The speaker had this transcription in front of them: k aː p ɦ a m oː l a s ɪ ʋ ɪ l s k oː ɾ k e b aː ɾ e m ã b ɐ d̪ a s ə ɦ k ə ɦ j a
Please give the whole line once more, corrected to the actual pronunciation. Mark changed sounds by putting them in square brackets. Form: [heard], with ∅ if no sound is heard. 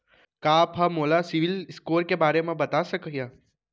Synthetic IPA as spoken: k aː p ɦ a m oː l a s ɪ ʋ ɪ l s k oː ɾ k e b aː ɾ e m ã b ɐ [t̪] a s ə [∅] k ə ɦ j a